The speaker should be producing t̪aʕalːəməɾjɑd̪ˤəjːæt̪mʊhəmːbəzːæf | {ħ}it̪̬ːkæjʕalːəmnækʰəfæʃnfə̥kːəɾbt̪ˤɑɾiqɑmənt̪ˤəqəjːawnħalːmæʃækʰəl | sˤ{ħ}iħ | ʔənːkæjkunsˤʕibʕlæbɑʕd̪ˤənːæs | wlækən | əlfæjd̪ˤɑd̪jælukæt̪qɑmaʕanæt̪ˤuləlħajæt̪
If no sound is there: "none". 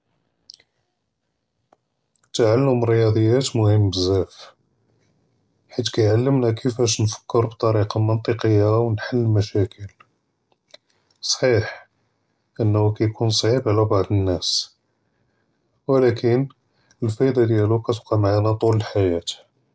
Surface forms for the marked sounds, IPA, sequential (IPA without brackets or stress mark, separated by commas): ħ, ħ